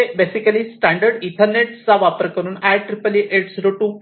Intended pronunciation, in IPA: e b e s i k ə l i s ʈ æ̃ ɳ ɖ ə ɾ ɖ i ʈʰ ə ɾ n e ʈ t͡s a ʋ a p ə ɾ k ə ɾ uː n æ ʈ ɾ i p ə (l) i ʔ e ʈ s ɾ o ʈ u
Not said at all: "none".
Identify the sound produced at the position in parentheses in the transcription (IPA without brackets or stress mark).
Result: l